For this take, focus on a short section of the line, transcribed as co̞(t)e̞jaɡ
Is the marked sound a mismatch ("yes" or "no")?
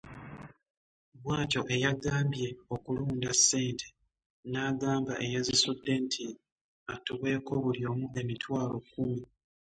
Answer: yes